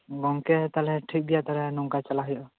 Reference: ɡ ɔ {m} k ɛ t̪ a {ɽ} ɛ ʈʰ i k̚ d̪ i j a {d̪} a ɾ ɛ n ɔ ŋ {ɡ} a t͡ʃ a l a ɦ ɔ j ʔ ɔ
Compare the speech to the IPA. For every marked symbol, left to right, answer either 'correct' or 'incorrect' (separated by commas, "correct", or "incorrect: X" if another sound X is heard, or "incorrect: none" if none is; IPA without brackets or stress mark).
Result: incorrect: ŋ, incorrect: l, incorrect: t̪, incorrect: k